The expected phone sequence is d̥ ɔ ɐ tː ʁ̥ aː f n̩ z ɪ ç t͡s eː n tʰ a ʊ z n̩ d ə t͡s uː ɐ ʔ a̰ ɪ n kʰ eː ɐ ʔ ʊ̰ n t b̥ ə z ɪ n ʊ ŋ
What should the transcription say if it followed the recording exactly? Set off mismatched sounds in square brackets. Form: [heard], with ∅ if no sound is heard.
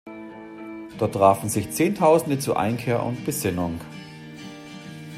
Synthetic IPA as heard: d̥ ɔ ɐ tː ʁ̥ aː f n̩ z ɪ ç t͡s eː n tʰ a ʊ z n̩ d ə t͡s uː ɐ ʔ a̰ ɪ n kʰ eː ɐ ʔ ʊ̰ n t b̥ ə z ɪ n ʊ ŋ